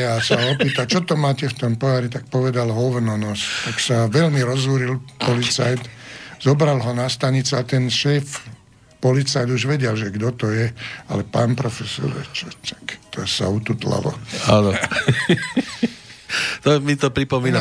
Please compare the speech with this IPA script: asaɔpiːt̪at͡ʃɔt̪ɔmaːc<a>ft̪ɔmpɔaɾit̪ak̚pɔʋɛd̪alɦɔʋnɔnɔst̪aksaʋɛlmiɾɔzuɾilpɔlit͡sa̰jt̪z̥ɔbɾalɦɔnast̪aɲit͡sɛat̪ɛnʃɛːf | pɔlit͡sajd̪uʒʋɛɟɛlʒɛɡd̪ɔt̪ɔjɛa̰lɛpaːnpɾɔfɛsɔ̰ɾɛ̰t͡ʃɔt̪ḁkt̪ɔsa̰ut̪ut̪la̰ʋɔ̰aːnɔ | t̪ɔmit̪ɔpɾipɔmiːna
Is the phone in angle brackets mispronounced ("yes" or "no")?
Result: yes